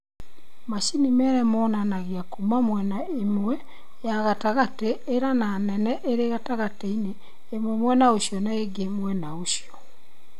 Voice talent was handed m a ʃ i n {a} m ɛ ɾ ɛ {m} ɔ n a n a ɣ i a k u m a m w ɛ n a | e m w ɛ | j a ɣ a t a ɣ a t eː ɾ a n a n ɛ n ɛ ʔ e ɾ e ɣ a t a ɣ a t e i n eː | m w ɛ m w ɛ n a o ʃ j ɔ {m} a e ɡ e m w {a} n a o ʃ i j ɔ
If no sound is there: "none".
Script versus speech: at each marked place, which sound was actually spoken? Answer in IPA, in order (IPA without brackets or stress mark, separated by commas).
i, m, n, ɛ